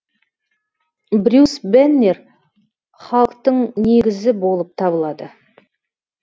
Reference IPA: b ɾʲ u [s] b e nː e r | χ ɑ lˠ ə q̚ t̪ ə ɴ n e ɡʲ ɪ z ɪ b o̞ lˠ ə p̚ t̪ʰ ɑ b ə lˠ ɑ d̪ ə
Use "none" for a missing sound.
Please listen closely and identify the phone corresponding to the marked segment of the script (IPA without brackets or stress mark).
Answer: s